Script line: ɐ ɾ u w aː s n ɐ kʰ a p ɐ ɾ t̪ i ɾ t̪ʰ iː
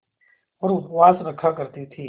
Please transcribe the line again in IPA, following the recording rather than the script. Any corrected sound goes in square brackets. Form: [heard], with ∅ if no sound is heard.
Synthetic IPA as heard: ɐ ɾ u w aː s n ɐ kʰ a [k] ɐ ɾ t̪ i [∅] t̪ʰ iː